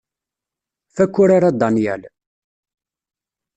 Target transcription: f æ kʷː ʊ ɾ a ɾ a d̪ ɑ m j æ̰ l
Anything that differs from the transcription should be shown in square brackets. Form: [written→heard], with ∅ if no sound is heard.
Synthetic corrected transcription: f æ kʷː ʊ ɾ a ɾ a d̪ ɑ [m→n] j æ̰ l